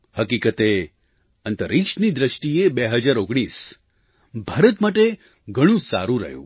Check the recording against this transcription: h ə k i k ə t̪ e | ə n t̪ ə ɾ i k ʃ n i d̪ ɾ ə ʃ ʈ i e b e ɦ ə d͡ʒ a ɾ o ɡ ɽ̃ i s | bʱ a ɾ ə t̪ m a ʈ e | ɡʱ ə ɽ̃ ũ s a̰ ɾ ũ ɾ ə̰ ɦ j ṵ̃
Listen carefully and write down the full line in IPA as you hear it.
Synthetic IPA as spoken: h ə k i k ə t̪ e | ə n t̪ ə ɾ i k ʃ n i d̪ ɾ ə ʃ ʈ i e b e ɦ ə d͡ʒ a ɾ o ɡ ɽ̃ i s | bʱ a ɾ ə t̪ m a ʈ e | ɡʱ ə ɽ̃ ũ s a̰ ɾ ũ ɾ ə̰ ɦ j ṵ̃

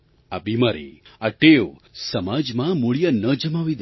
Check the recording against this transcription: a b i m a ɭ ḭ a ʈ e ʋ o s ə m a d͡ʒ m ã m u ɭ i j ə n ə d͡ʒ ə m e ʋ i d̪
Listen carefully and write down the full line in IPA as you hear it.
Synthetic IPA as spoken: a b i m a ɾ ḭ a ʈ e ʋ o s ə m a d͡ʒ m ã m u ɭ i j ə n ə d͡ʒ ə m a ʋ i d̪

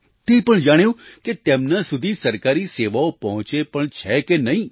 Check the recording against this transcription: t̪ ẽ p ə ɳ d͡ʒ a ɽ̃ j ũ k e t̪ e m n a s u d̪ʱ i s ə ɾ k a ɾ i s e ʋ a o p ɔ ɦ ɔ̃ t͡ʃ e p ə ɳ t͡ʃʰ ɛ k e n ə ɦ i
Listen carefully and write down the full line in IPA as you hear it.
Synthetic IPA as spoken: t̪ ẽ p ə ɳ d͡ʒ a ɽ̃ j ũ k e t̪ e m n a s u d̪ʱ i s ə ɾ k a ɾ i s e ʋ a o p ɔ ɦ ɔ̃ t͡ʃ e p ə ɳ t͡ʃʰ ɛ k e n ə ɦ ĩ

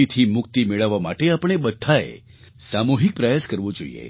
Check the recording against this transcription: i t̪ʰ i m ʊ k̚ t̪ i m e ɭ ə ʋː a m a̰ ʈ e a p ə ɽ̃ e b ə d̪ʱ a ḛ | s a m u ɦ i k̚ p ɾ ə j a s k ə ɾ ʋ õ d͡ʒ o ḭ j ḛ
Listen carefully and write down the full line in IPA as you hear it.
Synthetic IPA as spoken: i t̪ʰ i m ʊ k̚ t̪ i m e ɭ ə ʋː a m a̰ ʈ e a p ə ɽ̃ e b ə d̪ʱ a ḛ | s a m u ɦ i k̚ p ɾ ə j a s k ə ɾ ʋ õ d͡ʒ o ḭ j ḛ

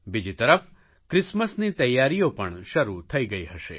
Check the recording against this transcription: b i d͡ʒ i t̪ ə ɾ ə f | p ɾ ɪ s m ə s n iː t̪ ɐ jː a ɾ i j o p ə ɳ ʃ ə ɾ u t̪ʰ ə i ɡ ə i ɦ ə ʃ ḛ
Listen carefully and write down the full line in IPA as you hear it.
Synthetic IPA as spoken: b i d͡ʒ i t̪ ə ɾ ə f | k ɾ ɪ s m ə s n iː t̪ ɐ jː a ɾ i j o p ə ɳ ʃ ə ɾ u t̪ʰ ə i ɡ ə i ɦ ə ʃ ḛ

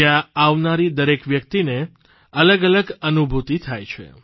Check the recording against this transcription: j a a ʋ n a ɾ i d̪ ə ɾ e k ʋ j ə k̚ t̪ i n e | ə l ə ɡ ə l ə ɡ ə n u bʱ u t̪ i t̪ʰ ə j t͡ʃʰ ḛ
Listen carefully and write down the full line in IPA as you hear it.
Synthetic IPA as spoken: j a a ʋ n a ɾ i d̪ ə ɾ e k ʋ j ə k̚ t̪ i n e | ə l ə ɡ ə l ə ɡ ə n u bʱ u t̪ i t̪ʰ a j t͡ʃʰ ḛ

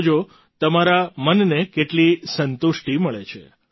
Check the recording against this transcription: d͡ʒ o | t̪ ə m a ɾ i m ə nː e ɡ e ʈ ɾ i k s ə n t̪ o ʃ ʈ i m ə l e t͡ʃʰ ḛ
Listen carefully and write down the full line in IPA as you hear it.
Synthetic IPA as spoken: d͡ʒ o | t̪ ə m a ɾ a m ə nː e k e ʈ l i s ə n t̪ u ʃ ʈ i m ə ɭ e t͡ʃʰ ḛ

